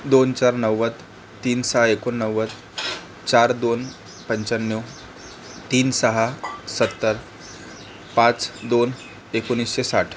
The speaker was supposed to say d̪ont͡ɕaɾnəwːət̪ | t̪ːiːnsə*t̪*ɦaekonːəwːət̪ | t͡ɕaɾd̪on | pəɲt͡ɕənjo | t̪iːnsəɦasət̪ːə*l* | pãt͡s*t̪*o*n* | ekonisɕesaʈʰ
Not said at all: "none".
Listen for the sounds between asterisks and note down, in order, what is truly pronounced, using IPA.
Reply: none, ɾ, d̪, n

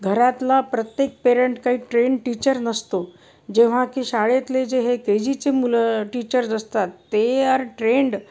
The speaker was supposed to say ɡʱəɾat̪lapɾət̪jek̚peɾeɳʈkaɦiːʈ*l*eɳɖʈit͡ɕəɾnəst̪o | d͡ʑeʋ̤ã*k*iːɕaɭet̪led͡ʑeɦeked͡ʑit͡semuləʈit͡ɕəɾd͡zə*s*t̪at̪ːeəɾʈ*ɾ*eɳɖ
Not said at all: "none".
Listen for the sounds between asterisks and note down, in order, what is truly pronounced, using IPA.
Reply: ɾ, k, s, ɾ

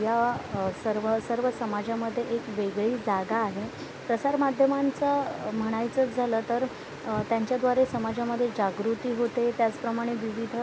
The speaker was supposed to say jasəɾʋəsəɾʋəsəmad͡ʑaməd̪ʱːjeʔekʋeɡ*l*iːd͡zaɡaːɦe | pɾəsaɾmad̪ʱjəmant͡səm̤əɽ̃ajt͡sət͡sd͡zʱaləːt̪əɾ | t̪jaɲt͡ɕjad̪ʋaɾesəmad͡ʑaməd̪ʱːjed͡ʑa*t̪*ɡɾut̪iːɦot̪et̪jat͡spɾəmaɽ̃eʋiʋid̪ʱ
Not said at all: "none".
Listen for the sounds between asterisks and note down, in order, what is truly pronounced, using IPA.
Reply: ɭ, none

